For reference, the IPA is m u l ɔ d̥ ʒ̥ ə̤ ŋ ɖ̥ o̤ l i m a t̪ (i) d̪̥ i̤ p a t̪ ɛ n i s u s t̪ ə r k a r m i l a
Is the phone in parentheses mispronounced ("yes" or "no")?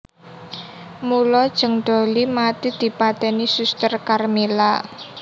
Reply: no